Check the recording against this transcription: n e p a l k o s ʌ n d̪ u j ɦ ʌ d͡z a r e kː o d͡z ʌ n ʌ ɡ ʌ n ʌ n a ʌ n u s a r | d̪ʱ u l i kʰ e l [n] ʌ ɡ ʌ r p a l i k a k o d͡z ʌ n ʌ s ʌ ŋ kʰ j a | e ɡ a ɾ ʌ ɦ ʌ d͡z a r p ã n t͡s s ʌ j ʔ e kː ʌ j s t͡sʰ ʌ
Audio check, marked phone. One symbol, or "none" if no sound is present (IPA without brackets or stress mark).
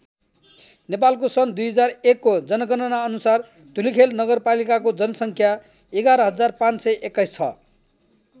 n